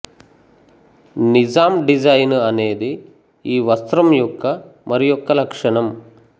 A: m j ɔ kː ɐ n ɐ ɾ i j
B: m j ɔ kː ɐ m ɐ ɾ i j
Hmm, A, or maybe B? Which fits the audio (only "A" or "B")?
B